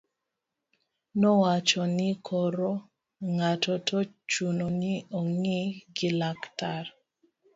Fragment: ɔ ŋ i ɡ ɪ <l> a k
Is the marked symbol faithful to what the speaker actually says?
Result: yes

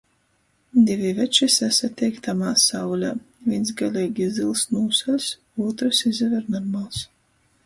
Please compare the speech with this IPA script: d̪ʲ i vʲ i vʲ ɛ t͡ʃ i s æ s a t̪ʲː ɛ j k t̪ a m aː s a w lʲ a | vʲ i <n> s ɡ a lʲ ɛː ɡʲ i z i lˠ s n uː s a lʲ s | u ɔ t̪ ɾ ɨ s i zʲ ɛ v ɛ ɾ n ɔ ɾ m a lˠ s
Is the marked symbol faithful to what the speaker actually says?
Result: yes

